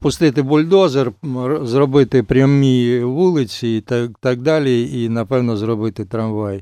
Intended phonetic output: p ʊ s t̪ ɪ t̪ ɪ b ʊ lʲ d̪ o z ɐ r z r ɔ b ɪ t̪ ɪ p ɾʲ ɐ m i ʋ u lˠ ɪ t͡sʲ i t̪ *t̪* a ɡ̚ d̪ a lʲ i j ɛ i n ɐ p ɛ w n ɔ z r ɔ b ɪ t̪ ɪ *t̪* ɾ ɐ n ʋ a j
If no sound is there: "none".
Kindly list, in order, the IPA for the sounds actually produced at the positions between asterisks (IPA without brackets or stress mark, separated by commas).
t̪, t̪